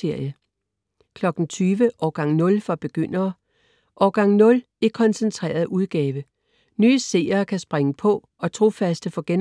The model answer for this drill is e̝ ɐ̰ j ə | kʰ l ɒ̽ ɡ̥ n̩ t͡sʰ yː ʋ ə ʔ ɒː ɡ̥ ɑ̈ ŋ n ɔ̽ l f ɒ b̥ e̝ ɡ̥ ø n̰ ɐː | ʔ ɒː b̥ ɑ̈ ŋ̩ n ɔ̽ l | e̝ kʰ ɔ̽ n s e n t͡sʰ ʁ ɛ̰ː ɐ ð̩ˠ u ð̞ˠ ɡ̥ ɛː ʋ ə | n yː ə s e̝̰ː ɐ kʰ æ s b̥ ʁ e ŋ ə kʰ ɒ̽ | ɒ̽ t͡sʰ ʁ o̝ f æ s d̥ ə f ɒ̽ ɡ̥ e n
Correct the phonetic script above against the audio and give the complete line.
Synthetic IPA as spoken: e̝ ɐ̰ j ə | kʰ l ɒ̽ ɡ̥ n̩ t͡sʰ yː ʋ ə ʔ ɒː ɡ̥ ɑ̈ ŋ n ɔ̽ l f ɒ b̥ e̝ ɡ̥ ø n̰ ɐː | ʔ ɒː ɡ̥ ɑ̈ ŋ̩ n ɔ̽ l | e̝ kʰ ɒ̽ n s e n t͡sʰ ʁ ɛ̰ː ɐ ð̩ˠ u ð̞ˠ ɡ̥ ɛː ʋ ə | n yː ə s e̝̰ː ɐ kʰ æ s b̥ ʁ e ŋ ə pʰ ɒ̽ | ɒ̽ t͡sʰ ʁ o̝ f æ s d̥ ə f ɒ̽ ɡ̥ e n